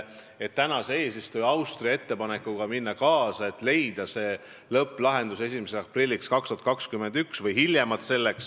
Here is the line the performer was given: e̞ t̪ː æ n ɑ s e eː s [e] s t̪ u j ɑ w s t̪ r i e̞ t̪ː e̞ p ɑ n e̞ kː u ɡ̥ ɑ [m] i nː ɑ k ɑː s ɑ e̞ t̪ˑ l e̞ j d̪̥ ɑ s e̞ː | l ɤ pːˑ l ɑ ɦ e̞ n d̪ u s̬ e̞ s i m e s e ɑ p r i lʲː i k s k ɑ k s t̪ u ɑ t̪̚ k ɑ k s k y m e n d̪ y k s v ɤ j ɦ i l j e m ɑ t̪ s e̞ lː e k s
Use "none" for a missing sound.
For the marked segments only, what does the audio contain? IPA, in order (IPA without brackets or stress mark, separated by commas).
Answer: i, m